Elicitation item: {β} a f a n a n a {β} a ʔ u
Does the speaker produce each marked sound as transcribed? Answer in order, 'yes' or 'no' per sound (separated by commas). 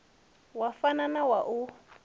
no, no